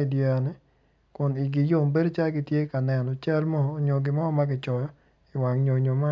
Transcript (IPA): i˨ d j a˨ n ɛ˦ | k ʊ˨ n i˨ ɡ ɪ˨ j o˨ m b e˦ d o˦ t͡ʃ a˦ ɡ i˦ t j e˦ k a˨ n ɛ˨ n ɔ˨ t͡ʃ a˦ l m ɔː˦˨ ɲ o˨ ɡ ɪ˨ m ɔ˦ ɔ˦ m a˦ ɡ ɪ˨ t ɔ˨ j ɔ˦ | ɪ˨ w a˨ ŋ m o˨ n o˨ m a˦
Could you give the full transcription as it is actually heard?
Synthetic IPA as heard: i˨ d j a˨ n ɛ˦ | k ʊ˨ n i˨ ɡ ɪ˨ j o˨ m b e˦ d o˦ t͡ʃ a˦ ɡ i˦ t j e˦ k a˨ n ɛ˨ n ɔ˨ t͡ʃ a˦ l m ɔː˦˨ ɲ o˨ ɡ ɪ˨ m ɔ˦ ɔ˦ m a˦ ɡ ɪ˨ t͡ʃ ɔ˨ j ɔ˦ | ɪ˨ w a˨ ŋ ɲ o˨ ɲ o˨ m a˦